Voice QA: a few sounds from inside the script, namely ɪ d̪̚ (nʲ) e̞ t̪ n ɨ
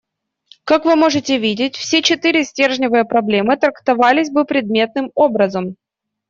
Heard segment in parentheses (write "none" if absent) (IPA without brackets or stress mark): mʲ